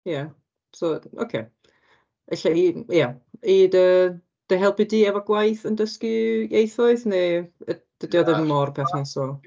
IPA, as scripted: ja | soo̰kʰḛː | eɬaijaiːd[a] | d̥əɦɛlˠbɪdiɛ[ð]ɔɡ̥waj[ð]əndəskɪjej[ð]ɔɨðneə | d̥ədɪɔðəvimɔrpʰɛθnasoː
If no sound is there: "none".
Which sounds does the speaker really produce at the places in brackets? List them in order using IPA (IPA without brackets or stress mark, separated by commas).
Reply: ə, v, θ, θ